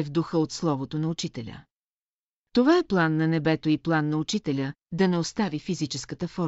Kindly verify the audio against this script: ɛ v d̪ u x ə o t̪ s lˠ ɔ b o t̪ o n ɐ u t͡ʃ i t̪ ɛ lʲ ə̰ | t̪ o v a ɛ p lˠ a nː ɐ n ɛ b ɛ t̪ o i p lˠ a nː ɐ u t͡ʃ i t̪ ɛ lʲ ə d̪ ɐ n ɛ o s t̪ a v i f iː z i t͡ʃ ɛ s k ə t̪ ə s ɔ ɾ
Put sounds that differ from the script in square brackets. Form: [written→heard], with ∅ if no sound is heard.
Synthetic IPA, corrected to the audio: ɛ v d̪ u x ə o t̪ s lˠ ɔ [b→v] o t̪ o n ɐ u t͡ʃ i t̪ ɛ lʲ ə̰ | t̪ o v a ɛ p lˠ a nː ɐ n ɛ b ɛ t̪ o i p lˠ a nː ɐ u t͡ʃ i t̪ ɛ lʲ ə d̪ ɐ n ɛ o s t̪ a v i f [iː→i] z i t͡ʃ ɛ s k ə t̪ ə [s→f] ɔ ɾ